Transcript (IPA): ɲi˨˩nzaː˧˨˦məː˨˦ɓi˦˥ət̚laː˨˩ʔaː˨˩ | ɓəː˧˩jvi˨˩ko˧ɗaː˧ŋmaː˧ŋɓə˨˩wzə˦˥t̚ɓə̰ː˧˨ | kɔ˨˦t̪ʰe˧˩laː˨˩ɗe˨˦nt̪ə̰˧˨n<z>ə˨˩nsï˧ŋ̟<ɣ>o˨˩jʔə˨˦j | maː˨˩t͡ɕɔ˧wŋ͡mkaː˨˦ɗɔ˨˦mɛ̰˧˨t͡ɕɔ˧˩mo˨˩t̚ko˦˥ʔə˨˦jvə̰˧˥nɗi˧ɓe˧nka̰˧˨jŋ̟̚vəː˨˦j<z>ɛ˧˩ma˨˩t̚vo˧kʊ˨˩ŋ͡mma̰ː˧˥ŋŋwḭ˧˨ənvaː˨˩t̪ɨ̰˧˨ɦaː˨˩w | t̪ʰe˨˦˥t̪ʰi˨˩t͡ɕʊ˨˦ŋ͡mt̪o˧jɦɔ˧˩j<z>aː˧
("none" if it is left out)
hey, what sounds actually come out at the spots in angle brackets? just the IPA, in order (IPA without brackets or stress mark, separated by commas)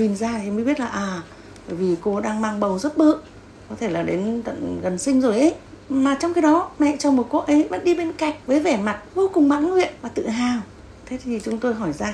ɣ, z, v, z